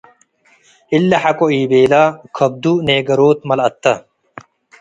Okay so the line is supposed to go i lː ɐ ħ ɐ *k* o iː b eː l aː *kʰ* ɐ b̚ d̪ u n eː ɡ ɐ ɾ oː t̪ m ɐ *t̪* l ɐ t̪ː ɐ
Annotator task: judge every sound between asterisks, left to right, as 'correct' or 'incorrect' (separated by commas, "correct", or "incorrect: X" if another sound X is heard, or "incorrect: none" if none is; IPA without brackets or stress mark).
correct, correct, incorrect: none